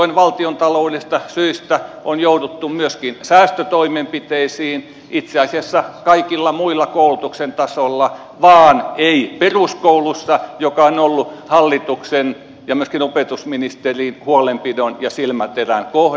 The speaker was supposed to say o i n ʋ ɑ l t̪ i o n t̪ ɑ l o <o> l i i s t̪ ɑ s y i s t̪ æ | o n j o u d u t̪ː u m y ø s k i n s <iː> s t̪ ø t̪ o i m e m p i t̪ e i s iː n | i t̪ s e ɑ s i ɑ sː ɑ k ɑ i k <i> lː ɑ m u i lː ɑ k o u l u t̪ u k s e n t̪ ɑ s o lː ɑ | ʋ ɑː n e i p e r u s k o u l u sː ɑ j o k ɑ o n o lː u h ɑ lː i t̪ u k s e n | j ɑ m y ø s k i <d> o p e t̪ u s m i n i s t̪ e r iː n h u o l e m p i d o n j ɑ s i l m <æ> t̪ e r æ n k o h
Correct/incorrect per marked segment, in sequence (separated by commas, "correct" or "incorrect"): incorrect, incorrect, correct, incorrect, correct